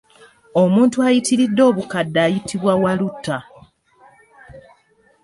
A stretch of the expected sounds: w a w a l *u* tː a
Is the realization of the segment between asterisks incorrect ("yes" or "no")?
no